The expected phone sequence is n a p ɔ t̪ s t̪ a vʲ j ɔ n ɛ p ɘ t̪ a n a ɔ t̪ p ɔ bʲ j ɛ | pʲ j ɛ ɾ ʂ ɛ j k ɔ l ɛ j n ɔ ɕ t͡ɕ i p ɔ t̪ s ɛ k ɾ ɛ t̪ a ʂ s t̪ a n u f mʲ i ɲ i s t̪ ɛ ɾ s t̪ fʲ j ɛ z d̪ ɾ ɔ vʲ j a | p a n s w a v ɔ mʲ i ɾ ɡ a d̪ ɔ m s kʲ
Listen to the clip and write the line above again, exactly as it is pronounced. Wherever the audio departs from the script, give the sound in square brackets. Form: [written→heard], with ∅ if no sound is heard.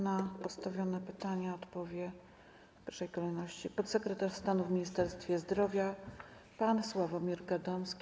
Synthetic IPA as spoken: n a p ɔ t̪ s t̪ a vʲ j ɔ n ɛ p ɘ t̪ a [n→ɲ] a ɔ t̪ p ɔ [bʲ→vʲ] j ɛ | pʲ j ɛ ɾ ʂ ɛ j k ɔ l ɛ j n ɔ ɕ t͡ɕ i p ɔ t̪ s ɛ k ɾ ɛ t̪ a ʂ s t̪ a n u [f→v] mʲ i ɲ i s t̪ ɛ ɾ s t̪ fʲ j ɛ z d̪ ɾ ɔ vʲ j a | p a n s w a v ɔ mʲ i ɾ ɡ a d̪ ɔ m s kʲ